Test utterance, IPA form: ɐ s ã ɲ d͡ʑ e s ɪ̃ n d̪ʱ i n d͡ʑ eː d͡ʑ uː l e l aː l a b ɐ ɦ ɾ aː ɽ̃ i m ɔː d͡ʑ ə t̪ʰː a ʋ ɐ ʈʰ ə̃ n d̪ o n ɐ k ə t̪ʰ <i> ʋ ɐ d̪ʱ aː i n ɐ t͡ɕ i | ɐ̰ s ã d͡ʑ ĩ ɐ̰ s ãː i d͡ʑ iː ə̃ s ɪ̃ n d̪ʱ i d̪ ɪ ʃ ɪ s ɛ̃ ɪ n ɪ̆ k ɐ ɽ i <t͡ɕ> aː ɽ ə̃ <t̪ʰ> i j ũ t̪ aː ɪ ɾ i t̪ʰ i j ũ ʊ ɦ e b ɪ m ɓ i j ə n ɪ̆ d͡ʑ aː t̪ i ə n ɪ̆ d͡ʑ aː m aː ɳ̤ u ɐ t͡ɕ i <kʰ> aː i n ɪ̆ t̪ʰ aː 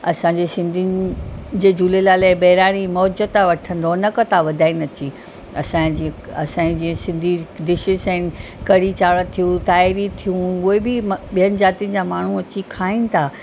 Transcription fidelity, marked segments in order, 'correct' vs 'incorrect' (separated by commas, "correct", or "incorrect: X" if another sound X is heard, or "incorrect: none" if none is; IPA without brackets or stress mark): incorrect: a, correct, correct, correct